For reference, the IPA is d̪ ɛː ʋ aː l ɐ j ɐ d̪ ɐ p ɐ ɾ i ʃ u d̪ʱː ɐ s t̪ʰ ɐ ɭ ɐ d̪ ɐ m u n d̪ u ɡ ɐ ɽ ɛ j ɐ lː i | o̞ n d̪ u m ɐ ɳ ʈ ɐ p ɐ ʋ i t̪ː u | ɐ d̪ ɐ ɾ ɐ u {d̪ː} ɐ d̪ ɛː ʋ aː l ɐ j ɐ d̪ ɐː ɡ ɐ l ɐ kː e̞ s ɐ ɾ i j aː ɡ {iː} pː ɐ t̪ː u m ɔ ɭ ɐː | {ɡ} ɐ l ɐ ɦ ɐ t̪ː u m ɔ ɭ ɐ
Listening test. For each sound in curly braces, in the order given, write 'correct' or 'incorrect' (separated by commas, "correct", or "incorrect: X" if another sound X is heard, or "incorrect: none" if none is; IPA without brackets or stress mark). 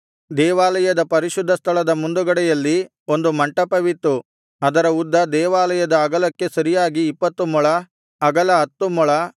correct, correct, correct